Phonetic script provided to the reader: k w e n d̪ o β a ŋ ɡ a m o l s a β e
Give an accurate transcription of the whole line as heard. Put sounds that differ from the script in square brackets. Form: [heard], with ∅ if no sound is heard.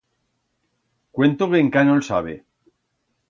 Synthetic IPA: k w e n [t̪] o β [e] ŋ [k] a [n] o l s a β e